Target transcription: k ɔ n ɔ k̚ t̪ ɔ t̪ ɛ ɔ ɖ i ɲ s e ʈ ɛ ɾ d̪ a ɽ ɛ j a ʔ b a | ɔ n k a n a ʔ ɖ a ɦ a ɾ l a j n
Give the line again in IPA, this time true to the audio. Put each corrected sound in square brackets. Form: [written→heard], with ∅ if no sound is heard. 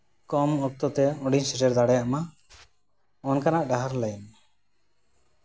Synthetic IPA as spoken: k ɔ [n→m] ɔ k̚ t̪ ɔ t̪ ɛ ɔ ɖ i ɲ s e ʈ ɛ ɾ d̪ a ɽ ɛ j a ʔ [b→m] a | ɔ n k a n a ʔ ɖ a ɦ a ɾ l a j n